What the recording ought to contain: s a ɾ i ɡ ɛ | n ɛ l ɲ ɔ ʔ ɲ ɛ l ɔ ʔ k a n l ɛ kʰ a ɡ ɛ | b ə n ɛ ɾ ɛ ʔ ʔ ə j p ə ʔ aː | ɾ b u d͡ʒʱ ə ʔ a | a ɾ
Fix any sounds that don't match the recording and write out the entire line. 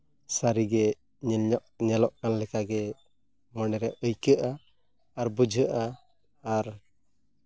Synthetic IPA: s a ɾ i ɡ ɛ | ɲ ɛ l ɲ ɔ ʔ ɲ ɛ l ɔ ʔ k a n l ɛ k a ɡ ɛ | m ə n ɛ ɾ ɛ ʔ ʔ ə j k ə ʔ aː | ɾ b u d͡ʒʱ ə ʔ a | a ɾ